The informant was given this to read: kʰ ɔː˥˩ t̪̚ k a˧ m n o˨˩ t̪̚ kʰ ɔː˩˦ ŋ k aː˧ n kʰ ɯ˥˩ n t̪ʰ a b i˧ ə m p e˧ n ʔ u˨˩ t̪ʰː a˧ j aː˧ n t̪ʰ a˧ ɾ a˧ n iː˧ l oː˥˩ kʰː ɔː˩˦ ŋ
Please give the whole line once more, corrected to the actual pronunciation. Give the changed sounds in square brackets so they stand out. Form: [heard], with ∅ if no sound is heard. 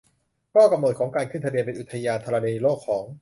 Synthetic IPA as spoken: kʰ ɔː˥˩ [∅] k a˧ m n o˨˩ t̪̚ kʰ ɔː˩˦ ŋ k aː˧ n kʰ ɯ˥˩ n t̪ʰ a b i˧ ə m p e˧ n ʔ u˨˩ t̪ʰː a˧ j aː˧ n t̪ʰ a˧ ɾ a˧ n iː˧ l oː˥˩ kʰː ɔː˩˦ ŋ